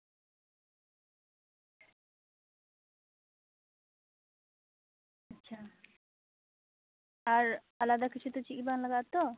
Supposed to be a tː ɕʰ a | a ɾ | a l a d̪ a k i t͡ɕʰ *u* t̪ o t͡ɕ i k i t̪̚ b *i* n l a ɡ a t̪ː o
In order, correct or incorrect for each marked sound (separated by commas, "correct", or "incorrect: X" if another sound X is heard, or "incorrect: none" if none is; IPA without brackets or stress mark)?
correct, incorrect: a